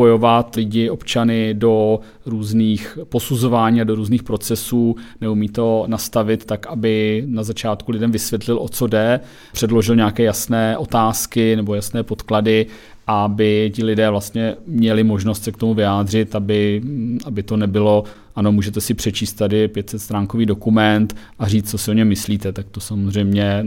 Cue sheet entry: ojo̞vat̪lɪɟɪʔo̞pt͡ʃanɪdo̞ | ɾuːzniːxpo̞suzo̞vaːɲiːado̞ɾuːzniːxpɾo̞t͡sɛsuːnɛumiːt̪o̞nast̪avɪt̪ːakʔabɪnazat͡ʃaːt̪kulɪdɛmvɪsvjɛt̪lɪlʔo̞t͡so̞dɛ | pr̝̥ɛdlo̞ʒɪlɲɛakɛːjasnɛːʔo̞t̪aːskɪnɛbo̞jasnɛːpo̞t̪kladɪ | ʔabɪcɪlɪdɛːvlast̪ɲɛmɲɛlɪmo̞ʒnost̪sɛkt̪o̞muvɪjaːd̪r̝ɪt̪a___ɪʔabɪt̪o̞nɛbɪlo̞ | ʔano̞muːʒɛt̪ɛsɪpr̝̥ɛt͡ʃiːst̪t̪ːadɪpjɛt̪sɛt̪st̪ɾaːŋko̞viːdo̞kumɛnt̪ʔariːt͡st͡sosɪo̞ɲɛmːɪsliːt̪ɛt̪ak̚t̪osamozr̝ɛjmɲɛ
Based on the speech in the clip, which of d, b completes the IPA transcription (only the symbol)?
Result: b